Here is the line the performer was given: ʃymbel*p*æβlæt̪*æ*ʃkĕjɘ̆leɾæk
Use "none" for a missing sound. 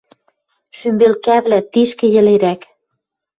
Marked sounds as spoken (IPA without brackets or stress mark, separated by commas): k, i